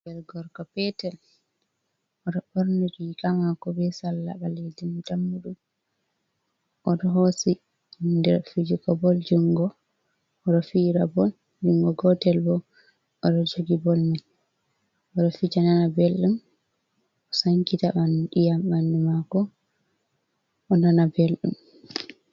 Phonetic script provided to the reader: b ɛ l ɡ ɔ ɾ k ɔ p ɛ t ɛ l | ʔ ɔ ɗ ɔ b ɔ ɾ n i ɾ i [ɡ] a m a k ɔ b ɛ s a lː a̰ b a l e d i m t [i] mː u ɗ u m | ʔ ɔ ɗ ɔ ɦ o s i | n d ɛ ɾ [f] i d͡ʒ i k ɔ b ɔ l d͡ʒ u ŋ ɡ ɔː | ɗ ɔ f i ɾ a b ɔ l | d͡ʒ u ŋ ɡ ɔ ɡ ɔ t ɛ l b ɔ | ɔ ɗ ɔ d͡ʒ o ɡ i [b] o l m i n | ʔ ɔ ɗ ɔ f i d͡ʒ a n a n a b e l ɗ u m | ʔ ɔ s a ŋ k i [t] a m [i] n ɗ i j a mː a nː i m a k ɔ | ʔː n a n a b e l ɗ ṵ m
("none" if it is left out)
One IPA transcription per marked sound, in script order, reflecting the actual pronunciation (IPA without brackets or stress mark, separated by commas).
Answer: k, a, f, b, t, a